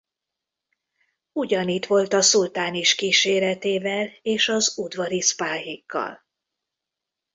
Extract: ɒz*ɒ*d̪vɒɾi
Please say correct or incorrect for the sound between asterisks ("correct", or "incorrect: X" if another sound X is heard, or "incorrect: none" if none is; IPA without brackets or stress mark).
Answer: incorrect: u